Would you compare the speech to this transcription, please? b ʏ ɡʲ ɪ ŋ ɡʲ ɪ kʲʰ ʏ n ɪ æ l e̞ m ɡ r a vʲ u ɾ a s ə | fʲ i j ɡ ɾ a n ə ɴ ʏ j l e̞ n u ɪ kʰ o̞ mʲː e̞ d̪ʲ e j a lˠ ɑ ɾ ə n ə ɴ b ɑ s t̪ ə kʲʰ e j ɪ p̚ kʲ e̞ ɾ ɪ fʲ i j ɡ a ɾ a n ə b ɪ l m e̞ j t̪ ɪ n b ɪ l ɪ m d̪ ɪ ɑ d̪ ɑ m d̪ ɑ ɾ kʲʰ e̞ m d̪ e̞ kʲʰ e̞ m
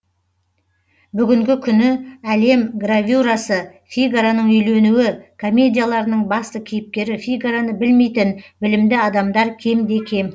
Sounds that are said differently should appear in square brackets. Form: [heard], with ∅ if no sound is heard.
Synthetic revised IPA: b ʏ ɡʲ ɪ ŋ ɡʲ ɪ kʲʰ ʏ n ɪ æ l e̞ m ɡ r a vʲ u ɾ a s ə | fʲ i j ɡ ɾ a n ə ɴ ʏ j l e̞ n u ɪ kʰ o̞ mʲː e̞ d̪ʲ [i] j a lˠ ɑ ɾ ə n ə ɴ b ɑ s t̪ ə kʲʰ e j ɪ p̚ kʲ e̞ ɾ ɪ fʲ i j ɡ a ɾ a n ə b ɪ l m e̞ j t̪ ɪ n b ɪ l ɪ m d̪ ɪ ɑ d̪ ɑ m d̪ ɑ ɾ kʲʰ e̞ m d̪ e̞ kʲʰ e̞ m